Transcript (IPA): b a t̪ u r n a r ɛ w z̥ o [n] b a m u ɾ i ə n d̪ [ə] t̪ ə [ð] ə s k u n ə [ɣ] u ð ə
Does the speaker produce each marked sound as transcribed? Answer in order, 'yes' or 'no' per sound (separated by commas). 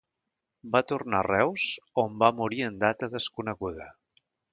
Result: no, no, yes, yes